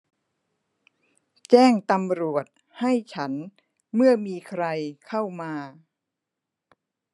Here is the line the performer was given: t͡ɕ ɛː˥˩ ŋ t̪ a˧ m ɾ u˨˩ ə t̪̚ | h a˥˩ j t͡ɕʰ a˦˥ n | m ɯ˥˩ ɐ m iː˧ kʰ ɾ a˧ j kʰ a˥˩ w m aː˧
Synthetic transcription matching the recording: t͡ɕ ɛː˥˩ ŋ t̪ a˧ m ɾ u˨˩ ə t̪̚ | h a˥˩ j t͡ɕʰ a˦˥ n | m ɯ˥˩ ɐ m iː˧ kʰ ɾ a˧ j kʰ a˥˩ w m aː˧